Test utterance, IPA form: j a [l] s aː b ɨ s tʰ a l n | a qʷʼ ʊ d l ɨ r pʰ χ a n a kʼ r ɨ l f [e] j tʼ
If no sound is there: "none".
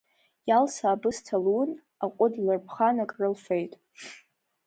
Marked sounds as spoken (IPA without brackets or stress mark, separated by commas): l, e